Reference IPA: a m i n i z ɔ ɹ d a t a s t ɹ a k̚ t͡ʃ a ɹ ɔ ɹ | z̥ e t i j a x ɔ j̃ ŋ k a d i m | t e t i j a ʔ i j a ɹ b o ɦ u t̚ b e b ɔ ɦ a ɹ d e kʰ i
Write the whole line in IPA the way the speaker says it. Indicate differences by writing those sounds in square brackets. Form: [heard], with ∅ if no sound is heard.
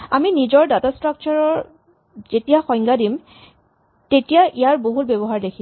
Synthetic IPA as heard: a m i n i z ɔ ɹ d a t a s t ɹ a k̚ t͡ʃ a ɹ ɔ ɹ | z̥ e t i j a x ɔ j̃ ŋ [ɡ] a d i m | t e t i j a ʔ i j a ɹ b o ɦ u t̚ b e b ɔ ɦ a ɹ d e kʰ i